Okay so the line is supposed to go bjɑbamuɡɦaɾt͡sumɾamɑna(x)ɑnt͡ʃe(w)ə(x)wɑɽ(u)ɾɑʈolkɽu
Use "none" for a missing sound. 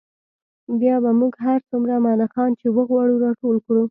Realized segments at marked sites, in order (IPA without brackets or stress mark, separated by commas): x, w, ɣ, u